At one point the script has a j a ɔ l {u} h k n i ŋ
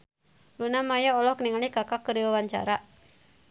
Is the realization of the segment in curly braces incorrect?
yes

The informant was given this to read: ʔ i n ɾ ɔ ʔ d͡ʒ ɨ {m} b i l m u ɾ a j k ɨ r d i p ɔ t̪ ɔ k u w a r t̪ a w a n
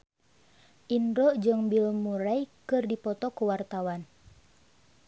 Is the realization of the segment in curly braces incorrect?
yes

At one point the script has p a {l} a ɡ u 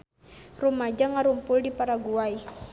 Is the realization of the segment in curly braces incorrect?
yes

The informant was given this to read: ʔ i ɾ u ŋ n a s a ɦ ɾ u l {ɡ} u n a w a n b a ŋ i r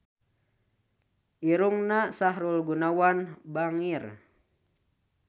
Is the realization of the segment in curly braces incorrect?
no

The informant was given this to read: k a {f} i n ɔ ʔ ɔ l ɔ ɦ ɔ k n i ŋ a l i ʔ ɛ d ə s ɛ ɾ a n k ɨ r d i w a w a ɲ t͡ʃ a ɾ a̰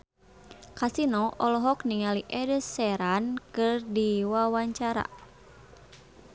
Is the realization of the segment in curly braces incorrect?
yes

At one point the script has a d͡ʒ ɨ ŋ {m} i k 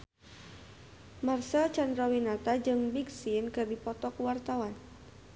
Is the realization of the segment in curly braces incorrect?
yes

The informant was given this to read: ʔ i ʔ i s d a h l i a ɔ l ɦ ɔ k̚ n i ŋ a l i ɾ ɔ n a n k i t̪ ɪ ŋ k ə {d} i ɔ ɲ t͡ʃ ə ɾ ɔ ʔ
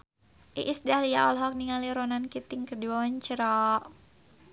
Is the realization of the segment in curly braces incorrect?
no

